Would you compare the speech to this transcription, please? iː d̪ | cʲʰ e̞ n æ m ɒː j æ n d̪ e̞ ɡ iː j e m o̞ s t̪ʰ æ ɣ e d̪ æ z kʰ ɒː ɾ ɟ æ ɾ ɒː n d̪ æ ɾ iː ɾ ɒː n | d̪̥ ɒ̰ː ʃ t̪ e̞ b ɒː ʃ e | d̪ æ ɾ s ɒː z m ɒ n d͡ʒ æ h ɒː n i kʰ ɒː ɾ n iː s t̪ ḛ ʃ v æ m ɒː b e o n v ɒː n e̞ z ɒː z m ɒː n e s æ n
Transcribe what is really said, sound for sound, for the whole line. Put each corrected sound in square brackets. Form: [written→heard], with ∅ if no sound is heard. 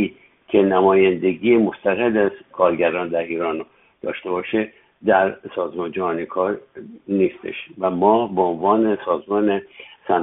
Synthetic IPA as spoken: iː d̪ | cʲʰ e̞ n æ m ɒː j æ n d̪ e̞ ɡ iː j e m o̞ s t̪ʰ æ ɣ e d̪ æ z kʰ ɒː ɾ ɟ æ ɾ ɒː n d̪ æ ɾ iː ɾ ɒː n | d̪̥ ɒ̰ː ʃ t̪ e̞ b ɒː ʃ e | d̪ æ ɾ s ɒː z m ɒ n d͡ʒ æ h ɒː n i kʰ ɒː ɾ n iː s t̪ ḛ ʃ v æ m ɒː b e o n v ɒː n e̞ [z→s] ɒː z m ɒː n e s æ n